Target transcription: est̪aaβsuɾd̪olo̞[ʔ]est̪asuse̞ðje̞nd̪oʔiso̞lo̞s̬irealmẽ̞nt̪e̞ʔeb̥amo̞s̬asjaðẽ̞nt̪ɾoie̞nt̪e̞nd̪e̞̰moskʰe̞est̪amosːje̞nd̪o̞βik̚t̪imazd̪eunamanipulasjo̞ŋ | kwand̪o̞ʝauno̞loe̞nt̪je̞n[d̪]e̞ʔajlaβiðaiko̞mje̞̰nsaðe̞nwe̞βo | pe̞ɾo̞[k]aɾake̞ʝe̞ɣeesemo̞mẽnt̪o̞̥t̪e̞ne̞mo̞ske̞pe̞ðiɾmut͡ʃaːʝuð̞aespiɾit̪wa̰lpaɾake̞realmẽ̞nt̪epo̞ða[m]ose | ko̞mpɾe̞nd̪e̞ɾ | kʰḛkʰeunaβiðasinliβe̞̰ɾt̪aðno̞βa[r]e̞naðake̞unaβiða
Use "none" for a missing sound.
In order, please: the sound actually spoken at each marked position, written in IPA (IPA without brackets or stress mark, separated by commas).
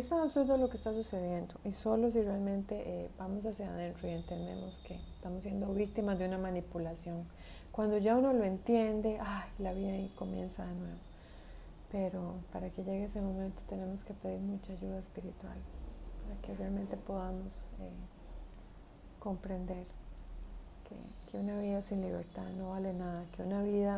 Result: k, d̪, p, m, l